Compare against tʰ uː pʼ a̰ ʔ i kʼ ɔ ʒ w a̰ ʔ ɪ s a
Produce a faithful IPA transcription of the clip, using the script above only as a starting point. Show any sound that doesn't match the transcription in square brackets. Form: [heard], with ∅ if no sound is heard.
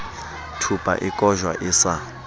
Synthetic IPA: tʰ [u] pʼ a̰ ʔ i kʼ ɔ ʒ w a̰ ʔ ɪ s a